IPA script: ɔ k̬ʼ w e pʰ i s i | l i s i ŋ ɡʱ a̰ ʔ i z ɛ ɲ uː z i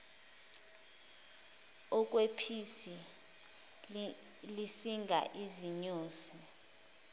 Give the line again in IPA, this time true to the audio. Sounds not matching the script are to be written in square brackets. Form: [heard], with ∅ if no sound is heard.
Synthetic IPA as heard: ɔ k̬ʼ w e pʰ i s i | l i s i ŋ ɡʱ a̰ ʔ i z [i] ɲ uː [s] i